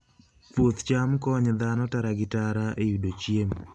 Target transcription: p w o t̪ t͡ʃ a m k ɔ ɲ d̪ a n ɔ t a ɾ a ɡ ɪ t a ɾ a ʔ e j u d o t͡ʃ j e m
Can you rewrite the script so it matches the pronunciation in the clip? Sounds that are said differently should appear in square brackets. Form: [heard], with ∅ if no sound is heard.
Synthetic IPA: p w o t̪ t͡ʃ a m k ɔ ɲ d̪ a n ɔ t a ɾ a ɡ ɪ t a ɾ a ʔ e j u d o t͡ʃ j e m

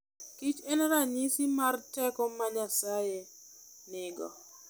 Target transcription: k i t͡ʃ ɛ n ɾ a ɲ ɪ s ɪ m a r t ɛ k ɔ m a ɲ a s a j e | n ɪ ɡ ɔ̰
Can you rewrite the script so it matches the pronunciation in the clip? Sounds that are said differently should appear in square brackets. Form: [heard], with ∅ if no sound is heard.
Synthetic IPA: k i t͡ʃ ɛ n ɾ a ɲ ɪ s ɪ m a r t ɛ k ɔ m a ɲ a s a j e | n ɪ ɡ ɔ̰

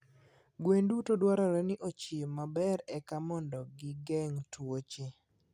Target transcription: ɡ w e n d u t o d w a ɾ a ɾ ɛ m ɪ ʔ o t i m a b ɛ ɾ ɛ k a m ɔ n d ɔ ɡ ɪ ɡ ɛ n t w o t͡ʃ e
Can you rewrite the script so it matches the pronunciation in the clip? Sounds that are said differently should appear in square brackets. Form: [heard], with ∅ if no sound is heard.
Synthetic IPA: ɡ w e n d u t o d w a ɾ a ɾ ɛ [n] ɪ ʔ o [t͡ʃ] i m a b ɛ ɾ ɛ k a m ɔ n d ɔ ɡ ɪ ɡ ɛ [ŋ] t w o t͡ʃ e

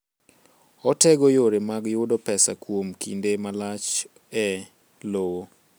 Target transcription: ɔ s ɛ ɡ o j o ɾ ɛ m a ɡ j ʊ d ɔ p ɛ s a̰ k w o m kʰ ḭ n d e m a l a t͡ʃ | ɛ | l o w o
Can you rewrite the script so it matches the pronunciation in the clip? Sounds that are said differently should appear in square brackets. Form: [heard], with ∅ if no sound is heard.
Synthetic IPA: ɔ [t] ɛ ɡ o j o ɾ [e] m a ɡ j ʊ d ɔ p ɛ s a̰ k w o m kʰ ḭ n d e m a l a t͡ʃ | ɛ | l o w o

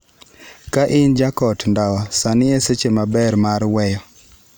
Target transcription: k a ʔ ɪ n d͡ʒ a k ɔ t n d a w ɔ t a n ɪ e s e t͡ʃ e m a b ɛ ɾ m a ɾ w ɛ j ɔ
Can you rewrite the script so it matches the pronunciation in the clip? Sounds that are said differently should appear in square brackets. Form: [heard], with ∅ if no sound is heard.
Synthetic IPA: k a ʔ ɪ n d͡ʒ a k ɔ t n d a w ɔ [s] a n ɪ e s e t͡ʃ e m a b ɛ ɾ m a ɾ w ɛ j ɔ

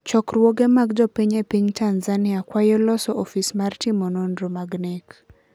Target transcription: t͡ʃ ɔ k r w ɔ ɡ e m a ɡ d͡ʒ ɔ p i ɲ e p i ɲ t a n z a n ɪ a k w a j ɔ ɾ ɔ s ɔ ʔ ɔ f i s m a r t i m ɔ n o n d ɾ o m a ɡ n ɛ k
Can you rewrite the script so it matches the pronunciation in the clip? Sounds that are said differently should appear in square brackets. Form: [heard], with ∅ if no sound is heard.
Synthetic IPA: t͡ʃ ɔ k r w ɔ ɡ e m a ɡ d͡ʒ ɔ p i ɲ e p i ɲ t a n z a n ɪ a k w a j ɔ [l] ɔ s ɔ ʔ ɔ f i s m a r t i m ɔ n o n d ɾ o m a ɡ n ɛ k

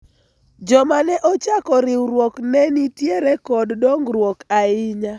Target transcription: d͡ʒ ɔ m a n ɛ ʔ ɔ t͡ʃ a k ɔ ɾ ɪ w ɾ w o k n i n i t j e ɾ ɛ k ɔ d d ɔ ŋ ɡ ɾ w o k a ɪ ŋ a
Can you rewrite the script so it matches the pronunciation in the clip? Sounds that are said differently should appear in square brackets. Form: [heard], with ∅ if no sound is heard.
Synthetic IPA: d͡ʒ ɔ m a n ɛ ʔ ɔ t͡ʃ a k ɔ ɾ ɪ w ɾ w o k n [ɛ] n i t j e ɾ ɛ k ɔ d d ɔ ŋ ɡ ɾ w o k a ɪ [ɲ] a

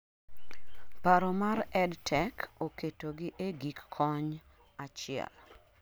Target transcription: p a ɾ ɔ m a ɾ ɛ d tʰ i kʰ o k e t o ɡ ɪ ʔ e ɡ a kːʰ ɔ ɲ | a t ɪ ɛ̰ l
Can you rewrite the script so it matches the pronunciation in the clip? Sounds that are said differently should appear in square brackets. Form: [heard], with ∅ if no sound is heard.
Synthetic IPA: p a ɾ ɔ m a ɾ ɛ d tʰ [ɛ] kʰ o k e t o ɡ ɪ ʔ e ɡ [i] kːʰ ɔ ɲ | a [t͡ʃ] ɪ ɛ̰ l

